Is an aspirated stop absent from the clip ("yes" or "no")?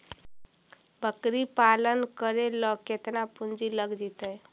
yes